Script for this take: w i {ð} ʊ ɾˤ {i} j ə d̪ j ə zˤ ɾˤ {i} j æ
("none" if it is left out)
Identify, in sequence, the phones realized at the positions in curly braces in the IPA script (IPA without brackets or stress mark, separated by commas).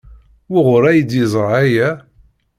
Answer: ʁ, æ, æ